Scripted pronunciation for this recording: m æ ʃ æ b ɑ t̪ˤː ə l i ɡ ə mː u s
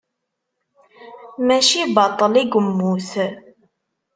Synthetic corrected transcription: m æ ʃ i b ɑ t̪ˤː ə l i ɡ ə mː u θ